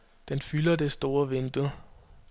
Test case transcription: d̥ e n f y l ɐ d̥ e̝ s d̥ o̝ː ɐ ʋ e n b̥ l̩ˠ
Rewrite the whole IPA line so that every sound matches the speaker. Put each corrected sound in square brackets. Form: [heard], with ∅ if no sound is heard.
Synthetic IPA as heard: d̥ e n f y l ɐ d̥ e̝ s d̥ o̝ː ɐ ʋ e n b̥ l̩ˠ